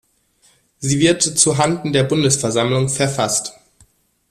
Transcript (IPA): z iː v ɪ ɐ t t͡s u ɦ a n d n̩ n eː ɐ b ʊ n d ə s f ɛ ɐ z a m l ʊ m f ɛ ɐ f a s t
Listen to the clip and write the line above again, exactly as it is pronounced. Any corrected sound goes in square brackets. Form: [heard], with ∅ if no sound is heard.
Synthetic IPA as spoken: z iː v ɪ ɐ t t͡s u ɦ a n d n̩ [d] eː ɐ b ʊ n d ə s f ɛ ɐ z a m l ʊ [ŋ] f ɛ ɐ f a s t